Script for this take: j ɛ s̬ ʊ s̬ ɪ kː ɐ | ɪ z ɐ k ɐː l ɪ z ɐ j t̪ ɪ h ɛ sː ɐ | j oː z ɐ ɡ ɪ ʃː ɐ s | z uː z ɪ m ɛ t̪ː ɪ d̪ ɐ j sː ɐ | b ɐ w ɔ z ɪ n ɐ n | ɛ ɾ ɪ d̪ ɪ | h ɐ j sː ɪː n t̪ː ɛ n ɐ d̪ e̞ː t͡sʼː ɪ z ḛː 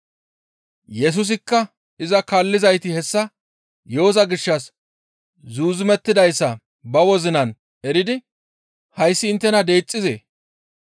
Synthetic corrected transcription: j ɛ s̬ ʊ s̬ ɪ kː ɐ | ɪ z ɐ k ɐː lː ɪ z ɐ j t̪ ɪ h ɛ sː ɐ | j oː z ɐ ɡ ɪ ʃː ɐ s | z uː z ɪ m ɛ t̪ː ɪ d̪ ɐ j sː ɐ | b ɐ w ɔ z ɪ n ɐ n | ɛ ɾ ɪ d̪ ɪ | h ɐ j sː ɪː n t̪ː ɛ n ɐ d̪ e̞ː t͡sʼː ɪ z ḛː